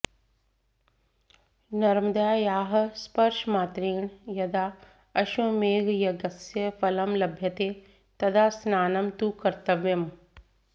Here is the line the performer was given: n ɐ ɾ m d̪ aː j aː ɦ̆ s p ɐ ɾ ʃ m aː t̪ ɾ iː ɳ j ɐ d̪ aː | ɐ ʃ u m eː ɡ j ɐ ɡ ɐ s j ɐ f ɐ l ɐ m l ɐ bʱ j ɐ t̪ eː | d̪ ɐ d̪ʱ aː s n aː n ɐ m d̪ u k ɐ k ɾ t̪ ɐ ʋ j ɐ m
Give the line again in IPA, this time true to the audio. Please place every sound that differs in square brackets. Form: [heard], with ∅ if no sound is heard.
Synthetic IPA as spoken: n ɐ ɾ m d̪ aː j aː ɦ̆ s p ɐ ɾ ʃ m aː t̪ ɾ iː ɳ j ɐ d̪ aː | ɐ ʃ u m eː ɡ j ɐ ɡ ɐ s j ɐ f ɐ l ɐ m l ɐ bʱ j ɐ t̪ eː | [t̪] ɐ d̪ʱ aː s n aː n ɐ m [t̪] u k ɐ [∅] ɾ t̪ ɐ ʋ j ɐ m